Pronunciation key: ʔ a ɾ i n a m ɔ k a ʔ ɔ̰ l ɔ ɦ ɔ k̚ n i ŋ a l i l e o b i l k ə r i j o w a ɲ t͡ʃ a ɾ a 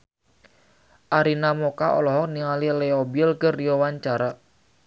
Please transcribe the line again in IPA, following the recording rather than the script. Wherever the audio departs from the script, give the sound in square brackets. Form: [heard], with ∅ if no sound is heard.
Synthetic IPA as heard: ʔ a ɾ i n a m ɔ k a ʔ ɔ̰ l ɔ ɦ ɔ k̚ n i ŋ a l i l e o b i l k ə r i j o w a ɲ t͡ʃ a ɾ a